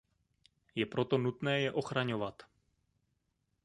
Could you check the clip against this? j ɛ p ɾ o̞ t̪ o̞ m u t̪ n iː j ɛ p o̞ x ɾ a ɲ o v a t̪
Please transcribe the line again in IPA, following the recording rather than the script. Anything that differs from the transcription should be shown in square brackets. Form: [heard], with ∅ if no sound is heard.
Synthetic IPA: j ɛ p ɾ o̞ t̪ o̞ [n] u t̪ n [ɛː] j ɛ [ʔ] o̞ x ɾ a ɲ o v a t̪